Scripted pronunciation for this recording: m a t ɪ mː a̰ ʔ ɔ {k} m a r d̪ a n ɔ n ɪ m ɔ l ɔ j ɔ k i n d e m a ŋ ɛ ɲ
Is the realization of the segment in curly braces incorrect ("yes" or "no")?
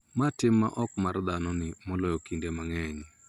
no